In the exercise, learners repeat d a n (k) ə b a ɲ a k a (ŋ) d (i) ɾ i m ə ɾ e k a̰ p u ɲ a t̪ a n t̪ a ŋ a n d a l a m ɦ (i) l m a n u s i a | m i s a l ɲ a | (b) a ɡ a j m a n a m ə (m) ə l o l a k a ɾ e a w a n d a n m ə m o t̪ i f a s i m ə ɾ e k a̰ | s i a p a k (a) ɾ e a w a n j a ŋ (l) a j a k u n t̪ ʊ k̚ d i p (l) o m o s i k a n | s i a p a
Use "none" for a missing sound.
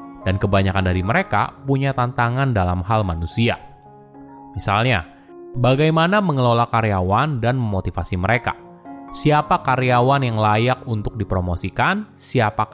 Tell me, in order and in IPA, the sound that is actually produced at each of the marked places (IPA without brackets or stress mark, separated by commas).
k, n, a, a, b, ŋ, a, l, ɾ